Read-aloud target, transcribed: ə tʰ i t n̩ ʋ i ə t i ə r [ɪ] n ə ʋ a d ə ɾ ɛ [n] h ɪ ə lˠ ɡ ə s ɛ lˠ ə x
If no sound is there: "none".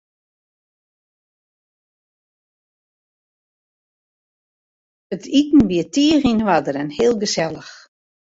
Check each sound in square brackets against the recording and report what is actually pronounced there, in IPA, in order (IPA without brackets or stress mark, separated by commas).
i, n